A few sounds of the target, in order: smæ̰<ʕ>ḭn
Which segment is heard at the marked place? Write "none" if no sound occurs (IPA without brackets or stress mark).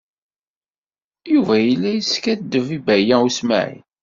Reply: ʕ